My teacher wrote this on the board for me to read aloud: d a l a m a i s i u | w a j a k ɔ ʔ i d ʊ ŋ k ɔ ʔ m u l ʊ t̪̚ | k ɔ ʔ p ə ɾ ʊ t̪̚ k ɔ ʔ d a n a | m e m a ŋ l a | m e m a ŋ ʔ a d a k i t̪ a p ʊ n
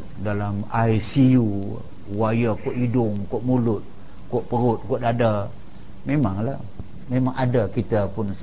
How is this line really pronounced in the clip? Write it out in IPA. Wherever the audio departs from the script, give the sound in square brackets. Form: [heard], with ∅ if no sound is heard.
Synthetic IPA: d a l a m a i s i u | w a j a k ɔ ʔ i d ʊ ŋ k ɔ ʔ m u l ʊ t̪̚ | k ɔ ʔ p ə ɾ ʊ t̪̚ k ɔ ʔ d a [d] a | m e m a ŋ l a | m e m a ŋ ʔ a d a k i t̪ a p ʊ n